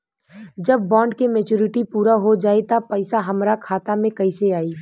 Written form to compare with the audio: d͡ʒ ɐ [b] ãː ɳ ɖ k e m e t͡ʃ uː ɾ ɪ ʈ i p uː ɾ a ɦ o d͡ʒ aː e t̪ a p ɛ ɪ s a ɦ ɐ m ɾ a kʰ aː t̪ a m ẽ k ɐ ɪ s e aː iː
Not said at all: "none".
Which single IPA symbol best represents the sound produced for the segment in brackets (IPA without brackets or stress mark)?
bː